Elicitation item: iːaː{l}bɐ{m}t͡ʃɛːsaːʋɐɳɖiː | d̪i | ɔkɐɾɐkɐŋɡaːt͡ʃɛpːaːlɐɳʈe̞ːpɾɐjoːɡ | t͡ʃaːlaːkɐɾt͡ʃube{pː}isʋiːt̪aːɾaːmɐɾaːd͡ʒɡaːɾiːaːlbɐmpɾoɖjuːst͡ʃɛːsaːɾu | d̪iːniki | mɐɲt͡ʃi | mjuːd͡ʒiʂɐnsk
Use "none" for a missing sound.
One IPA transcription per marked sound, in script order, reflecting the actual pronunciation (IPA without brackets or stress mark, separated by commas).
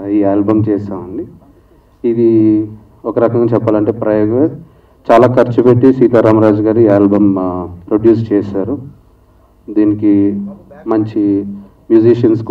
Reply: l, m, ʈː